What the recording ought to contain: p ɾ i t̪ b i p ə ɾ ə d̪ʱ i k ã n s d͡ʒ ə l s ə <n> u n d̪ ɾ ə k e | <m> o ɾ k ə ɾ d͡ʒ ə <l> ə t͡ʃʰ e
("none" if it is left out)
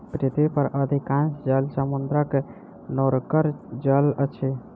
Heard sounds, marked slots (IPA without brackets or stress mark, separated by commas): m, n, l